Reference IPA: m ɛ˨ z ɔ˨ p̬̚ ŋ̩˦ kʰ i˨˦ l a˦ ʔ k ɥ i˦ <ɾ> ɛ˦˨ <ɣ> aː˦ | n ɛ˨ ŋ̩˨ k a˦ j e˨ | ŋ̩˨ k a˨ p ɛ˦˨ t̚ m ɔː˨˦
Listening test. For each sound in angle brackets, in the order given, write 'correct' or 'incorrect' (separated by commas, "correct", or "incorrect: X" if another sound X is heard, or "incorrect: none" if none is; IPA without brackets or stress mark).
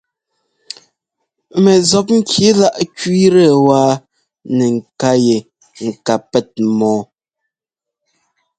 correct, incorrect: w